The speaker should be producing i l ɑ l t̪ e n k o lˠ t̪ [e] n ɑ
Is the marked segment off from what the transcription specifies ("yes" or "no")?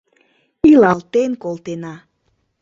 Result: no